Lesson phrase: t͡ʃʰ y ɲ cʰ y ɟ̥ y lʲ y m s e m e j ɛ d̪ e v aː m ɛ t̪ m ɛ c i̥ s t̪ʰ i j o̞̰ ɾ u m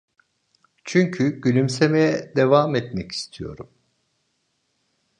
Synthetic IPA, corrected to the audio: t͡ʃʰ y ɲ cʰ y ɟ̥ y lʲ y m s e m e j ɛ d̪ e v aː m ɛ t̪ m ɛ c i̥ s t̪ʰ i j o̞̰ ɾ u m